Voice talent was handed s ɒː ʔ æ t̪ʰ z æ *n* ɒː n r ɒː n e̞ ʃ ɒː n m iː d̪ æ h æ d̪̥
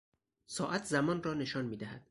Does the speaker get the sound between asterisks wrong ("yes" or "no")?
yes